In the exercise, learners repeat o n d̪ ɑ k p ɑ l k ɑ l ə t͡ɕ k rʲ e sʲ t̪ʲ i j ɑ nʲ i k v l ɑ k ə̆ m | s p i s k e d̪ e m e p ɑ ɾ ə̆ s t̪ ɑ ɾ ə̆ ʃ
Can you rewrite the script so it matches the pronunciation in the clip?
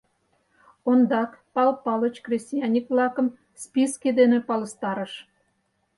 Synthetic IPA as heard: o n d̪ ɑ k p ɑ l p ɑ l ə t͡ɕ k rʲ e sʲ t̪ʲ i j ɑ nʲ i k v l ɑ k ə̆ m | s p i s k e d̪ e n e p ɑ l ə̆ s t̪ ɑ ɾ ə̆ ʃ